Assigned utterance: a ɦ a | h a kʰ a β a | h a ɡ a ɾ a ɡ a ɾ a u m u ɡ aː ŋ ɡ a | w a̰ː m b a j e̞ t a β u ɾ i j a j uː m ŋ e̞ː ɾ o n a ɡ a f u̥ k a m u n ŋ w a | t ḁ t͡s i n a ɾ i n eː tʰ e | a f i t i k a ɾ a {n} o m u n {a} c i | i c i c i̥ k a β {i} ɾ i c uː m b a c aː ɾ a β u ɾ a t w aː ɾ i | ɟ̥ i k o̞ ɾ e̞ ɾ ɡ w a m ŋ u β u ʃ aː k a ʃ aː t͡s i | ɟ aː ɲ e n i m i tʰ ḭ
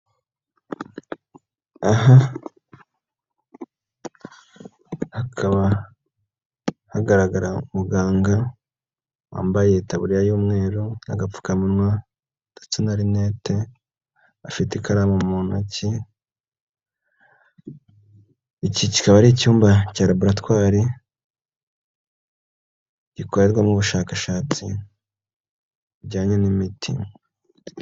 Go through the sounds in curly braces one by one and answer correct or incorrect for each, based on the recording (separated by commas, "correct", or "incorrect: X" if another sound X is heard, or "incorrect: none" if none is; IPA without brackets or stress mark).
incorrect: m, correct, incorrect: a